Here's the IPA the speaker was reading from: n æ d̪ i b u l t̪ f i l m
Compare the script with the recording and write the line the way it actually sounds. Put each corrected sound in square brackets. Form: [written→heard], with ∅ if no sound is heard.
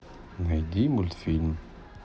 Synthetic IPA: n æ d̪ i [b→m] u l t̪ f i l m